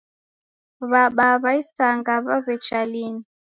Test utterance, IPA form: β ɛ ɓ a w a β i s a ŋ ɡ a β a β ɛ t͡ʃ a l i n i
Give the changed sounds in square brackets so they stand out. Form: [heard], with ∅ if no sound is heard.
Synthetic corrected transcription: β [a] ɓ a [β] a [∅] i s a ŋ ɡ a β a β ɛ t͡ʃ a l i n i